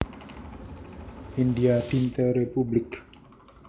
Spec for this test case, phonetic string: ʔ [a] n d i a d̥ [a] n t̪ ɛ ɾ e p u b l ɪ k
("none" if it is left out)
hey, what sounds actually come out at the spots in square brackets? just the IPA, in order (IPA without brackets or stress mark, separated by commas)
i, i